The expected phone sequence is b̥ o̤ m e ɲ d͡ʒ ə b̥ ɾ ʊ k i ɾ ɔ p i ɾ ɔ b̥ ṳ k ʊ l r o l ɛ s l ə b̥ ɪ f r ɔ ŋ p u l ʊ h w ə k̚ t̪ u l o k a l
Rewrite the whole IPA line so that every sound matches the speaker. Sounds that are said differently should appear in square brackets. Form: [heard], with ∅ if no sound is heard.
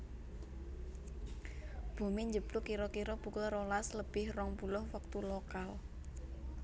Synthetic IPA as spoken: b̥ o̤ m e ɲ d͡ʒ ə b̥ [l] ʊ k i ɾ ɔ [k] i ɾ ɔ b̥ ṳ k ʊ l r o l [a] s l ə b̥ ɪ [h] r ɔ ŋ p u l ʊ h w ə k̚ t̪ u l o k a l